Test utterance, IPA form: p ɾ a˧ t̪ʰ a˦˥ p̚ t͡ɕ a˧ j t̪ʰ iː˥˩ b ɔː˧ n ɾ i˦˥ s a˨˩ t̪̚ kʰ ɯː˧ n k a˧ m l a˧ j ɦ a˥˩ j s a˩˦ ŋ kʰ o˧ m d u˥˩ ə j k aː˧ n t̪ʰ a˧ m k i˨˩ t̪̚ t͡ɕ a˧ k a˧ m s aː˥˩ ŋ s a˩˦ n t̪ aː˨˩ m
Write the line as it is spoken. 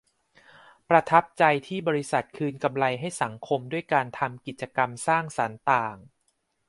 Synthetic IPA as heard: p ɾ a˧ t̪ʰ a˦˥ p̚ t͡ɕ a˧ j t̪ʰ iː˥˩ b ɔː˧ ɾ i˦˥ s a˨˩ t̪̚ kʰ ɯː˧ n k a˧ m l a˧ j ɦ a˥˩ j s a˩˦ ŋ kʰ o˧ m d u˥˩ ə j k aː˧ n t̪ʰ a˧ m k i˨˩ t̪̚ t͡ɕ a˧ k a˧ m s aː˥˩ ŋ s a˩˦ n t̪ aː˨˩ ŋ